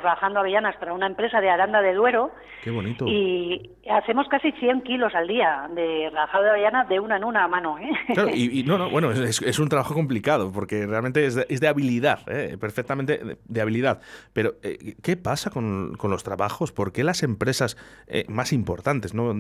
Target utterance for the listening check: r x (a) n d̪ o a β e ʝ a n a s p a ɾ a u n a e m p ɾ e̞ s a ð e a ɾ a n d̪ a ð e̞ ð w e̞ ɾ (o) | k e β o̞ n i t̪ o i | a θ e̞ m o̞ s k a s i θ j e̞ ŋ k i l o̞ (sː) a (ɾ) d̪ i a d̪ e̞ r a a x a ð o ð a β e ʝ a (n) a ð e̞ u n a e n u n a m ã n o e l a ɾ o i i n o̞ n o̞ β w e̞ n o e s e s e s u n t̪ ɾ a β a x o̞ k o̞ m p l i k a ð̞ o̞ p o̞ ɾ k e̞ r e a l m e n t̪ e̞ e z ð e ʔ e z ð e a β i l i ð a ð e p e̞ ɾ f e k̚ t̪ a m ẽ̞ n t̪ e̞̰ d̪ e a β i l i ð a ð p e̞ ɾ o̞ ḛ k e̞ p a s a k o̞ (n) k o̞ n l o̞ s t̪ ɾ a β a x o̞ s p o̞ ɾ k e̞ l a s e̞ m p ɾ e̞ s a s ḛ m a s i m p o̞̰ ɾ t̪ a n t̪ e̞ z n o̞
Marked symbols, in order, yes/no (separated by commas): yes, yes, no, no, yes, yes